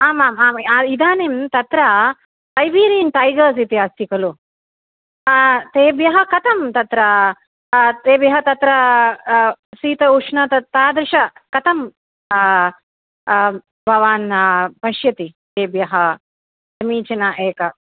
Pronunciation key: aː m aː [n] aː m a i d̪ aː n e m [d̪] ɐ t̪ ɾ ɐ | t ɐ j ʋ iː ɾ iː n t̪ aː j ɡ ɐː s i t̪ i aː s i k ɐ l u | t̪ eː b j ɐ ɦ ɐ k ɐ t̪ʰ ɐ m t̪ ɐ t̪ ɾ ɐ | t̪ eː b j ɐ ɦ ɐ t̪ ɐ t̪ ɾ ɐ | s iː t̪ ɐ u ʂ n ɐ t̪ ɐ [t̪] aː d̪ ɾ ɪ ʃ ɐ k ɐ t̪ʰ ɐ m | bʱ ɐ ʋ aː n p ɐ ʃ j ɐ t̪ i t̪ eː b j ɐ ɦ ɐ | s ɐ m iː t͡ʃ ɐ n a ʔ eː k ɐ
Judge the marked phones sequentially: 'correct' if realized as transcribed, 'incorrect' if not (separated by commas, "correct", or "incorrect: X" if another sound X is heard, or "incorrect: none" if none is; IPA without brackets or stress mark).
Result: incorrect: m, incorrect: t̪, correct